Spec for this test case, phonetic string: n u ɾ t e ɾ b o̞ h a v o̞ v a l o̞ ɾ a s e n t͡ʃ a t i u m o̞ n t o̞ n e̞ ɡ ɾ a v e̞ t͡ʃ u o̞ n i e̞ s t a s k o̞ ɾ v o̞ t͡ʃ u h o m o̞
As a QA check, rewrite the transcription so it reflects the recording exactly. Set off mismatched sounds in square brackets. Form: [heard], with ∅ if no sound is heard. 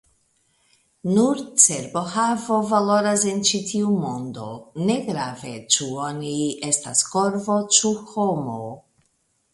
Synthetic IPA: n u ɾ [t͡s] e ɾ b o̞ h a v o̞ v a l o̞ ɾ a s e n t͡ʃ [i] t i u m o̞ n [d] o̞ n e̞ ɡ ɾ a v e̞ t͡ʃ u o̞ n i e̞ s t a s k o̞ ɾ v o̞ t͡ʃ u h o m o̞

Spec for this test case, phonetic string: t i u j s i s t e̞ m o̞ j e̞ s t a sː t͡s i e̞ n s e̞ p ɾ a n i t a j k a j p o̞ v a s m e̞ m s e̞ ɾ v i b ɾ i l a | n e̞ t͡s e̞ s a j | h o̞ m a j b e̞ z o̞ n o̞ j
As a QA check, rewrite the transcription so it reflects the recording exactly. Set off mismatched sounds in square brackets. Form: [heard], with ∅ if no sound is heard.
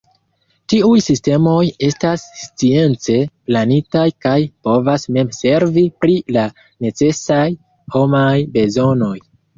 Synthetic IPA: t i u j s i s t e̞ m o̞ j e̞ s t a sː t͡s i e̞ n [t͡s] e̞ p [l] a n i t a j k a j p o̞ v a s m e̞ m s e̞ ɾ v i [p] ɾ i l a | n e̞ t͡s e̞ s a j | h o̞ m a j b e̞ z o̞ n o̞ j

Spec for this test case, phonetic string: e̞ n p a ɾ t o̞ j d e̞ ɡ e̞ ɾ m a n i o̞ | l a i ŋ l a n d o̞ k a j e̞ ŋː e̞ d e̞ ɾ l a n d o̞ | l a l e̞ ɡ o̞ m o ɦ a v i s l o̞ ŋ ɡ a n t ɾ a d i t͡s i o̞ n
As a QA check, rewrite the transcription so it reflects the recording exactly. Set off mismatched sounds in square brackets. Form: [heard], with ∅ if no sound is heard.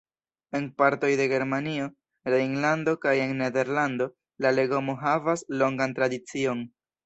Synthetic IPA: e̞ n p a ɾ t o̞ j d e̞ ɡ e̞ ɾ m a n i o̞ | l a i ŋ l a n d o̞ k a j e̞ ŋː e̞ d e̞ ɾ l a n d o̞ | l a l e̞ ɡ o̞ m o ɦ a v [a] s l o̞ ŋ ɡ a n t ɾ a d i t͡s i o̞ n

